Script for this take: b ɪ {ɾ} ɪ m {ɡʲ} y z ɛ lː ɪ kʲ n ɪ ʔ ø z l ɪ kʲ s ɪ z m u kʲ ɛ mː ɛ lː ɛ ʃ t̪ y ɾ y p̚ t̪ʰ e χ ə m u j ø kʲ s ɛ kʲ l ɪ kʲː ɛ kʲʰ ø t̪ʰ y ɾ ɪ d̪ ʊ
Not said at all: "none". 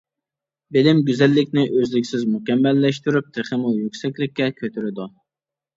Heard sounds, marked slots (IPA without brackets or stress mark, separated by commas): l, ɡʲ